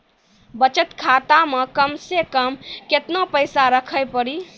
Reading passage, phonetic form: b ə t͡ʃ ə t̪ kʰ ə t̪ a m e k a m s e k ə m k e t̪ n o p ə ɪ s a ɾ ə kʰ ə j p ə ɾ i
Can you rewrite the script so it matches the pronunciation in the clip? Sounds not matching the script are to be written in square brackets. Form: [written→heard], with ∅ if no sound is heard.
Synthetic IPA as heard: b ə t͡ʃ ə t̪ kʰ [ə→a] t̪ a m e k [a→ə] m s e k ə m k e t̪ n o p ə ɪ s a ɾ ə kʰ ə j p ə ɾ i